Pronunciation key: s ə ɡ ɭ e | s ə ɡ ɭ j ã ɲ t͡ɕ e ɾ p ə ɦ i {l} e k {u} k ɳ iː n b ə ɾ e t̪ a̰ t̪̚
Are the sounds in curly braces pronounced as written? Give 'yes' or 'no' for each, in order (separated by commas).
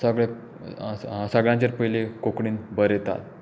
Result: yes, no